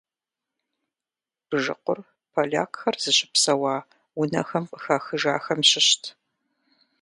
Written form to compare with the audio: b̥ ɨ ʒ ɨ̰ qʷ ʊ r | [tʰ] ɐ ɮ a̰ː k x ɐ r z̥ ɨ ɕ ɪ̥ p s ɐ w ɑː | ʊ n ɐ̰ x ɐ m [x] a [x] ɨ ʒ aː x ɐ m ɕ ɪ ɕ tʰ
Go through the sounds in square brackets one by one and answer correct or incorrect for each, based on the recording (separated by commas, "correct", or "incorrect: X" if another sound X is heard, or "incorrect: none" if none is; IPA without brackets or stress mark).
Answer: incorrect: pʰ, correct, correct